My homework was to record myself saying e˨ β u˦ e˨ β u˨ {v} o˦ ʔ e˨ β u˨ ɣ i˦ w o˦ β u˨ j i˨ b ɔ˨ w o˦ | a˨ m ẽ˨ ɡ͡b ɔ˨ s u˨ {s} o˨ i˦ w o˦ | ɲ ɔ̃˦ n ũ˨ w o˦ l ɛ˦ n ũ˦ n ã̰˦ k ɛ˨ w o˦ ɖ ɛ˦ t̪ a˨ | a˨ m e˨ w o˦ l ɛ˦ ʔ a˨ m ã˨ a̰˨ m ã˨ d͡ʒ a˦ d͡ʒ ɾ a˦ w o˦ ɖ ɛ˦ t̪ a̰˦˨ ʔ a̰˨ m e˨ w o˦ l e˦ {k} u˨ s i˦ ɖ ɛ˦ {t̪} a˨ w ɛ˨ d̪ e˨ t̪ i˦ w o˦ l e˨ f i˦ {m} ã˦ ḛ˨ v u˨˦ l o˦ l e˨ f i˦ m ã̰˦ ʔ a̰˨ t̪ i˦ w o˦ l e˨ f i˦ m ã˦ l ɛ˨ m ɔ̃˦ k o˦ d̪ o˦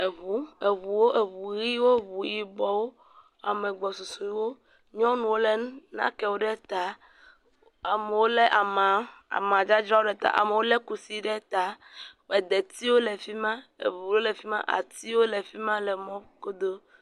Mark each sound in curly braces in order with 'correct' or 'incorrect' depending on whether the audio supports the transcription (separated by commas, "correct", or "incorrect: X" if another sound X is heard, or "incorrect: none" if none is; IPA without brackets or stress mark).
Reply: incorrect: w, correct, correct, correct, correct